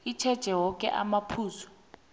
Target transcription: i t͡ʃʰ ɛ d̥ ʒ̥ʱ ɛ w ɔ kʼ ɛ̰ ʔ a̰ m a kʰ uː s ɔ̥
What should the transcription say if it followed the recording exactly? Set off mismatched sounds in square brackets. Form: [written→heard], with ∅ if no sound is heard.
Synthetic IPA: i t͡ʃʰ ɛ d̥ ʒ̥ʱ ɛ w ɔ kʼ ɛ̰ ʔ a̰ m a [kʰ→pʰ] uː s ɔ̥